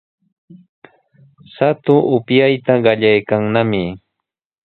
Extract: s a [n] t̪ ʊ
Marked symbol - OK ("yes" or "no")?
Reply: no